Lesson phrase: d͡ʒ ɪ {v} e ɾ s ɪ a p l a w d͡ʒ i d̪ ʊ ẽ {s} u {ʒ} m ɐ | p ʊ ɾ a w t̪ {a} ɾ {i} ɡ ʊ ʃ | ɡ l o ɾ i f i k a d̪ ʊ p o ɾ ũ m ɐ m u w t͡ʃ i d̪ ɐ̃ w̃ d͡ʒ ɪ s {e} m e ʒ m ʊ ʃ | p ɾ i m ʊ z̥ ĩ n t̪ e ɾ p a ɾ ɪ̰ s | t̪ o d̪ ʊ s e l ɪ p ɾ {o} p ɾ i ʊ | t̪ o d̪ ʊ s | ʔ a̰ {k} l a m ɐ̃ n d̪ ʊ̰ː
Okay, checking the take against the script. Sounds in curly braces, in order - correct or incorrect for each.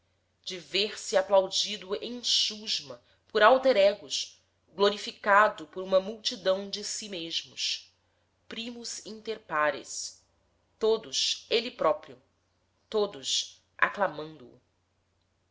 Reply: correct, incorrect: ʃ, correct, incorrect: e, incorrect: ɛ, incorrect: i, incorrect: ɔ, correct

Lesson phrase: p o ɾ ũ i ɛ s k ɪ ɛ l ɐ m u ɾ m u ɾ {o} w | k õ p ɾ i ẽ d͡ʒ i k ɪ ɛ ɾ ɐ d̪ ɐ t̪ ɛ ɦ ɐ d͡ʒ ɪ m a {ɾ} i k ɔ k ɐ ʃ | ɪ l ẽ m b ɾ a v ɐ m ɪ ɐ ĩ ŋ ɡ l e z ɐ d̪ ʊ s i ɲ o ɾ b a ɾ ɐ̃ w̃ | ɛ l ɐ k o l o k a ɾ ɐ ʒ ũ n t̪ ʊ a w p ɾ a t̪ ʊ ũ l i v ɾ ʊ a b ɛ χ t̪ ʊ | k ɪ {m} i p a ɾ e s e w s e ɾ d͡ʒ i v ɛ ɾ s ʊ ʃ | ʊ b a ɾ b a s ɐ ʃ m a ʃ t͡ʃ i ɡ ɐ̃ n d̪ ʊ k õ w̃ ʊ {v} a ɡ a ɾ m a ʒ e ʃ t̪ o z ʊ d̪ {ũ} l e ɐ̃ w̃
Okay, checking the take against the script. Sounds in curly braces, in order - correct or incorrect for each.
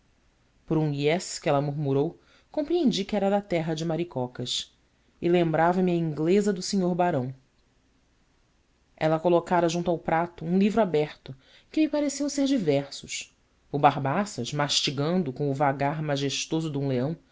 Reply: correct, correct, correct, correct, correct

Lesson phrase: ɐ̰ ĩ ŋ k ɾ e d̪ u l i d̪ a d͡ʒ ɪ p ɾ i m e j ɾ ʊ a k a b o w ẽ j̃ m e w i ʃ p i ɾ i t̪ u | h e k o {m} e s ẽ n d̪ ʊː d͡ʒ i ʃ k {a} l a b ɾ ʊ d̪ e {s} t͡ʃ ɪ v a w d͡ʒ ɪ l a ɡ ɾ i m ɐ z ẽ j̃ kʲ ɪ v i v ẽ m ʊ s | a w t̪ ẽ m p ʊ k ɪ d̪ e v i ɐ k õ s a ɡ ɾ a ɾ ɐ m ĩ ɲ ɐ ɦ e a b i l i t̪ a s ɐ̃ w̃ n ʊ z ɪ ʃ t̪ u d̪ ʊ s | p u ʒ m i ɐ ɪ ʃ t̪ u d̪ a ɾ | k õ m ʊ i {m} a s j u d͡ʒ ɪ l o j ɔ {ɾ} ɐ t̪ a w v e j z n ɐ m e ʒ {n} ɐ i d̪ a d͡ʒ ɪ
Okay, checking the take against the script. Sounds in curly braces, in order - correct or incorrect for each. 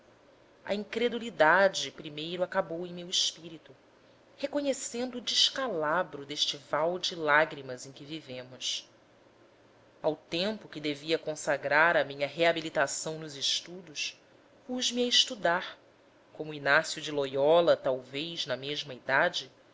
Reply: incorrect: ɲ, correct, incorrect: ʃ, incorrect: n, incorrect: l, incorrect: m

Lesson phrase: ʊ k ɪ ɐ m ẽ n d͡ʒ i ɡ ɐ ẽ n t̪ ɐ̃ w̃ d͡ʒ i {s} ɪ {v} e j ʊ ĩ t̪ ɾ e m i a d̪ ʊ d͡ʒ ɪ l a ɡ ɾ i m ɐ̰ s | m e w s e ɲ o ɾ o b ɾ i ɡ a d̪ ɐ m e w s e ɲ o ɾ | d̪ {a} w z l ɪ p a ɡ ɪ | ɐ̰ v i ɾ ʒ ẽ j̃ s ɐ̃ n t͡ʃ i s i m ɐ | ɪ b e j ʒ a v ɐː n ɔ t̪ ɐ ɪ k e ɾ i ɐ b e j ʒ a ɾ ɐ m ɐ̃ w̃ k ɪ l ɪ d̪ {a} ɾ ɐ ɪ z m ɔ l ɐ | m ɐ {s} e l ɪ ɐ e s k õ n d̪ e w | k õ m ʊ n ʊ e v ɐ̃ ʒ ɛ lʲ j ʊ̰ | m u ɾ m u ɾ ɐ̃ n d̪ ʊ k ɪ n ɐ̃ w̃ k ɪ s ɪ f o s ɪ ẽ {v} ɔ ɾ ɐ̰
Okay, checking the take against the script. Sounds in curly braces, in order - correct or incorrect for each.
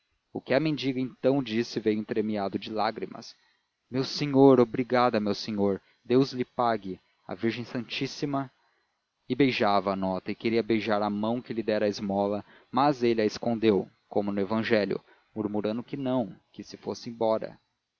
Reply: correct, correct, incorrect: e, incorrect: ɛ, incorrect: z, incorrect: b

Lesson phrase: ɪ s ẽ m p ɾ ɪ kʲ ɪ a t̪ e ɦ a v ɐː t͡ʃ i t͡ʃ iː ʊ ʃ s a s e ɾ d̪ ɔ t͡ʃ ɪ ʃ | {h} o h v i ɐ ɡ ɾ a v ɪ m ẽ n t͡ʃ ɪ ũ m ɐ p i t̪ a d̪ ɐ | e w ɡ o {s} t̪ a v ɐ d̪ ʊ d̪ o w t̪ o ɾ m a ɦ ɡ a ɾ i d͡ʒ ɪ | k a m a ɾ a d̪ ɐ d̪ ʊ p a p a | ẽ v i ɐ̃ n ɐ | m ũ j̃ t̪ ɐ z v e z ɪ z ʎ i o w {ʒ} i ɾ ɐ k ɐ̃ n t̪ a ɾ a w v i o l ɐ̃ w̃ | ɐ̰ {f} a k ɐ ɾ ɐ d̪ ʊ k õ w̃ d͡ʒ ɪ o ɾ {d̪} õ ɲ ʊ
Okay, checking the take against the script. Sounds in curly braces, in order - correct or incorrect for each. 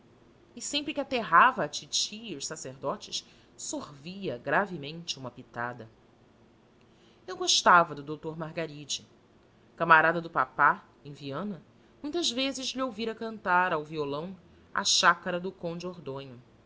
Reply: incorrect: s, incorrect: ʃ, incorrect: v, incorrect: ʃ, correct

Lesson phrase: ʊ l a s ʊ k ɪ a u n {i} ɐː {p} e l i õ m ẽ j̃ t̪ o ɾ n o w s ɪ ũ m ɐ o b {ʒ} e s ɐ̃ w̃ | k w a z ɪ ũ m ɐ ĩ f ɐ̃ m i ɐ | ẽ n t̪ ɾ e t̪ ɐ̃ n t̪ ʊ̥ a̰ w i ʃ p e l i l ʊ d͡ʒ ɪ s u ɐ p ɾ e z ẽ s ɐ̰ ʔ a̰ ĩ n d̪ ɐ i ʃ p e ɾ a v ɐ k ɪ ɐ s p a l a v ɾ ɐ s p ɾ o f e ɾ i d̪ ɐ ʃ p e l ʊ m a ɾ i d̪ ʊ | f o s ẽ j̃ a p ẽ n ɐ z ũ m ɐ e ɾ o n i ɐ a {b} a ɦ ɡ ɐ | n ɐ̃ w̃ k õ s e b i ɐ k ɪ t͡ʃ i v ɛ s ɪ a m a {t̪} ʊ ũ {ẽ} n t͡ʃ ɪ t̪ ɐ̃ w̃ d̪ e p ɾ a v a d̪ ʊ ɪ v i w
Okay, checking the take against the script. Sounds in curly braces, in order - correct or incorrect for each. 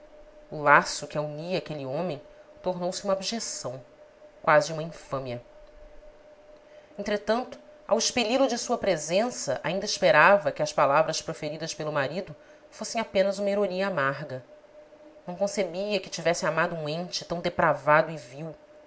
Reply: correct, incorrect: k, correct, incorrect: m, incorrect: d̪, correct

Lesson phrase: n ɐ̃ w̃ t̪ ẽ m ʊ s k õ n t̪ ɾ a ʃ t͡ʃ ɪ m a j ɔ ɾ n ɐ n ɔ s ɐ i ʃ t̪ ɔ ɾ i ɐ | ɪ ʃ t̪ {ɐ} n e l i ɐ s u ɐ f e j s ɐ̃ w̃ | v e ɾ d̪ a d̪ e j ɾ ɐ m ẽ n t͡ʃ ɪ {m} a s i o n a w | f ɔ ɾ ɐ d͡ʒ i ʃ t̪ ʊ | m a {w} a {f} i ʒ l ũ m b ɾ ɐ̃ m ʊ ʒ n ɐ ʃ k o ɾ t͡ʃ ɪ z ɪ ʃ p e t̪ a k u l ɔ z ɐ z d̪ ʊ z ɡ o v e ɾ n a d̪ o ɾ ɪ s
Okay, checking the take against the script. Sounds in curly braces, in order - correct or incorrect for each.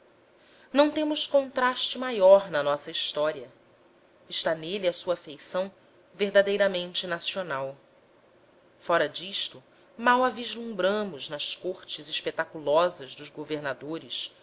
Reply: incorrect: a, incorrect: n, correct, incorrect: v

